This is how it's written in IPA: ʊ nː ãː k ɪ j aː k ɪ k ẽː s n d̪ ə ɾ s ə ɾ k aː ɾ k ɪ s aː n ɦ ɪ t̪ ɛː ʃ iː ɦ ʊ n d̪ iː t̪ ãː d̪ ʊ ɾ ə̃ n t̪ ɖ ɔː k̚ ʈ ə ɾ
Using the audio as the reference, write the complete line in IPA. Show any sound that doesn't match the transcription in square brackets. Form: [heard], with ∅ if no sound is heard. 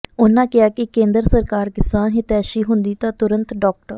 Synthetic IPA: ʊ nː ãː k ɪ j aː k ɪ k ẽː [∅] n d̪ ə ɾ s ə ɾ k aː ɾ k ɪ s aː n ɦ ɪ t̪ ɛː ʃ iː ɦ ʊ n d̪ iː t̪ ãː [t̪] ʊ ɾ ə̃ n t̪ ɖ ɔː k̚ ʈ ə ɾ

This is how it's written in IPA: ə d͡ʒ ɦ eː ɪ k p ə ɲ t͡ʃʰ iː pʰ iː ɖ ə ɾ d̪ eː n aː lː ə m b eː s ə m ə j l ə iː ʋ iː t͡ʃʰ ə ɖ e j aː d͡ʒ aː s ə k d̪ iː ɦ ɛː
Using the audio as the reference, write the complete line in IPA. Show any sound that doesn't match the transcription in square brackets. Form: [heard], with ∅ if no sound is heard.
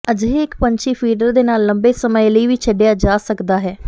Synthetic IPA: ə d͡ʒ ɦ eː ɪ k p ə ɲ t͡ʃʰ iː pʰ iː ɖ ə ɾ d̪ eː n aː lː ə m b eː s ə m ə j l ə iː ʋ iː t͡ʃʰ ə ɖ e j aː d͡ʒ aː s ə k d̪ [aː] ɦ ɛː

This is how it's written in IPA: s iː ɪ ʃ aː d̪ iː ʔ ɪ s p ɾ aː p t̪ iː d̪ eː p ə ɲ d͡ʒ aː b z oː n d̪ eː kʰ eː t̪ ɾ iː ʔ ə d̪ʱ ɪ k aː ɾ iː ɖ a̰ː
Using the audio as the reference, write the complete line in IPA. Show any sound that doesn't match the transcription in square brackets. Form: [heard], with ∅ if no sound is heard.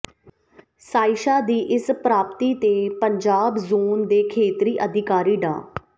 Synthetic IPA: s [aː] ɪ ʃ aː d̪ iː ʔ ɪ s p ɾ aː p t̪ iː [t̪] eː p ə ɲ d͡ʒ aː b z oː n d̪ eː kʰ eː t̪ ɾ iː ʔ ə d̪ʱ ɪ k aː ɾ iː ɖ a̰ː

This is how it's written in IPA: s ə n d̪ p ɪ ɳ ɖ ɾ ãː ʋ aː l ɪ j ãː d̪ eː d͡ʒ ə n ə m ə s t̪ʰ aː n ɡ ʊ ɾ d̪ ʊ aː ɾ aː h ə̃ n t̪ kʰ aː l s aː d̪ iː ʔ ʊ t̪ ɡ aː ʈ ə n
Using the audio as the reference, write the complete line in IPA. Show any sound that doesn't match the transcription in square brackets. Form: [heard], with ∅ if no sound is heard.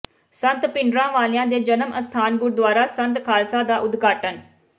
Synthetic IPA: s ə n [t̪] p ɪ ɳ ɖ ɾ ãː ʋ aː l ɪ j ãː d̪ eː d͡ʒ ə n ə m ə s t̪ʰ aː n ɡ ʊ ɾ d̪ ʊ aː ɾ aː [s] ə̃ n t̪ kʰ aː l s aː d̪ [aː] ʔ ʊ [d̪] ɡ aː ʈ ə n

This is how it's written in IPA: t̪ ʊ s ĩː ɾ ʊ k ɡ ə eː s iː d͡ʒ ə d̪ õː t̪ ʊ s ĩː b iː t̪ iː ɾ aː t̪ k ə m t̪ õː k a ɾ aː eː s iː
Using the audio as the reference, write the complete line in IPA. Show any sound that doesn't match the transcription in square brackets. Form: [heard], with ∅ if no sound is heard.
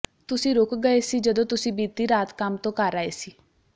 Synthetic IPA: t̪ ʊ s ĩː ɾ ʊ k ɡ ə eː s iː d͡ʒ ə d̪ õː t̪ ʊ s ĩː b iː t̪ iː ɾ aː t̪ k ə m t̪ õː k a ɾ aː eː s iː

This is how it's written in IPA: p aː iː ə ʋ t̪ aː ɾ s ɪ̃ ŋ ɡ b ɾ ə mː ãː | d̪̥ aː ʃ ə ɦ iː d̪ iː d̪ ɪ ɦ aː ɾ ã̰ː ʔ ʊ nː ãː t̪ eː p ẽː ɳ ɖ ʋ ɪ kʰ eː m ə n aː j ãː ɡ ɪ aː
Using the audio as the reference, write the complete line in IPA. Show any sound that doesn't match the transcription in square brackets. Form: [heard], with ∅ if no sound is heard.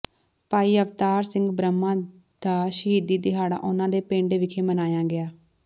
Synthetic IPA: p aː iː ə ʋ t̪ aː ɾ s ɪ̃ ŋ ɡ b ɾ ə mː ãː | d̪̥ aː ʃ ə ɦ iː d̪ iː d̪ ɪ ɦ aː [ɽ] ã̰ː ʔ ʊ [n] ãː [d̪] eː p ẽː ɳ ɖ ʋ ɪ kʰ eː m ə n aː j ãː ɡ ɪ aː

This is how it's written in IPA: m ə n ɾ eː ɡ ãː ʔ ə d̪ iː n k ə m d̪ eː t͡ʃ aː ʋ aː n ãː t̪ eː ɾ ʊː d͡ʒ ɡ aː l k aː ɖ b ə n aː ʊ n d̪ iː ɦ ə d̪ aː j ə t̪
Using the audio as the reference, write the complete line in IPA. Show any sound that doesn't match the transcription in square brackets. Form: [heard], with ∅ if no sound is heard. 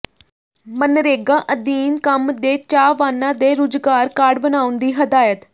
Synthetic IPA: m ə n ɾ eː ɡ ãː ʔ ə d̪ iː n k ə m d̪ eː t͡ʃ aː ʋ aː n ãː [d̪] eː ɾ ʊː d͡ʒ ɡ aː [ɾ] k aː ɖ b ə n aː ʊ n d̪ iː ɦ ə d̪ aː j ə t̪

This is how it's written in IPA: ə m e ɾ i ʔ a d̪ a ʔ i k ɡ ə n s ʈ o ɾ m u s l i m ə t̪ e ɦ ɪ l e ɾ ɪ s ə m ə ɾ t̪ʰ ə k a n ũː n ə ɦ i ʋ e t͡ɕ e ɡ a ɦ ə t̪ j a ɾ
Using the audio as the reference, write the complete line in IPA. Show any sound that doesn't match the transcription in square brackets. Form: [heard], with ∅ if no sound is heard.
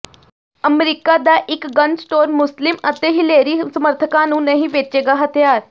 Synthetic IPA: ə m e ɾ i [k] a d̪ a ʔ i k ɡ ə n s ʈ o ɾ m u s l i m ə t̪ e ɦ [i] l e ɾ [i] s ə m ə ɾ t̪ʰ ə k a n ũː n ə ɦ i ʋ e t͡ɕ e ɡ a ɦ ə t̪ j a ɾ

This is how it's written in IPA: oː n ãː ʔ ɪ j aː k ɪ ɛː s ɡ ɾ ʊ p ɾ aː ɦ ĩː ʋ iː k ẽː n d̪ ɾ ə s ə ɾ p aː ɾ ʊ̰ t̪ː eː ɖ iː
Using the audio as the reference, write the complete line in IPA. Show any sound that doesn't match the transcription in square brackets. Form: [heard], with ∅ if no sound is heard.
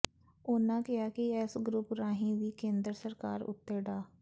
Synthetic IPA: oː n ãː [k] ɪ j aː k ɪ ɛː s ɡ ɾ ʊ p ɾ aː ɦ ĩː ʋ iː k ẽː n d̪ ɾ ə s ə ɾ [k] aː ɾ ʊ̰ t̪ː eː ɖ [aː]

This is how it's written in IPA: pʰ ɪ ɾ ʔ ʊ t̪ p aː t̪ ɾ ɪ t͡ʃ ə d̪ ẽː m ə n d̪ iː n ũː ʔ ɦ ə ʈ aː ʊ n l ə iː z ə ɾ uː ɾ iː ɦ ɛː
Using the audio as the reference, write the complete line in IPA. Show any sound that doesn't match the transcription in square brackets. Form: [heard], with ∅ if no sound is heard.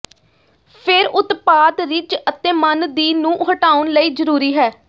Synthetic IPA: pʰ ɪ ɾ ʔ ʊ t̪ p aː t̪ ɾ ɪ t͡ʃ ə [t̪] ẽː m ə n d̪ iː n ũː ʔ ɦ ə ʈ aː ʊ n l ə iː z ə ɾ uː ɾ iː ɦ ɛː

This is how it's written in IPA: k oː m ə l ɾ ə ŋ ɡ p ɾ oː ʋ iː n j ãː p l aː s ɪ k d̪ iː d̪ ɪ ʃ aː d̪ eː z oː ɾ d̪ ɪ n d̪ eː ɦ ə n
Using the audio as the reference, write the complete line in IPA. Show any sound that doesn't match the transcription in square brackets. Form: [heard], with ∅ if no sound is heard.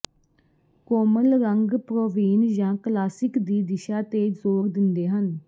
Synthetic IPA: k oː m ə l ɾ ə ŋ ɡ p ɾ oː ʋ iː n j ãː [k] l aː s ɪ k d̪ iː d̪ ɪ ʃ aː [t̪] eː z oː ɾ d̪ ɪ n d̪ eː ɦ ə n

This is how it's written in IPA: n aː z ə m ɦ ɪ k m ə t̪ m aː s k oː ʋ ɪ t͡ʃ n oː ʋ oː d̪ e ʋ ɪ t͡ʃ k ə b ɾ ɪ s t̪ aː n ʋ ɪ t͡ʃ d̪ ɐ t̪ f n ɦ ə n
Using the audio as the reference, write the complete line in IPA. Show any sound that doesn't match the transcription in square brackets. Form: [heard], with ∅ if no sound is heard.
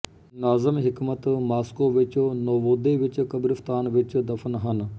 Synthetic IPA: n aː z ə m ɦ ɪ k m ə t̪ m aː s k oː ʋ ɪ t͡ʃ n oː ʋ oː d̪ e ʋ ɪ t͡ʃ k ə b ɾ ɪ [f] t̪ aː n ʋ ɪ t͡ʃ d̪ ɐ [∅] f n ɦ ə n

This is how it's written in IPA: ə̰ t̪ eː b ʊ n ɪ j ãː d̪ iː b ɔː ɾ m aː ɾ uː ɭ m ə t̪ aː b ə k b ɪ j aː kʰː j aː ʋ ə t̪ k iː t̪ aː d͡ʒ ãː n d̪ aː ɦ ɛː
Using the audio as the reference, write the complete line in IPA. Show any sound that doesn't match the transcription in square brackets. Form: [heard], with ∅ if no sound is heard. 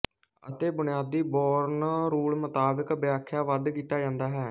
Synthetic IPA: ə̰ t̪ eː b ʊ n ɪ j [aː] d̪ iː b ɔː ɾ [n] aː ɾ uː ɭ m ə t̪ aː b ə k b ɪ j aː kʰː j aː ʋ ə [d̪] k iː t̪ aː d͡ʒ ãː n d̪ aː ɦ ɛː

